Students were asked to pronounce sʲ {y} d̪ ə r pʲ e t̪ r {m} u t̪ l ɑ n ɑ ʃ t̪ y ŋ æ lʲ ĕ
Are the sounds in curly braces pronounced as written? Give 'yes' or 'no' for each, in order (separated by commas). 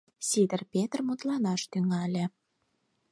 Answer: no, yes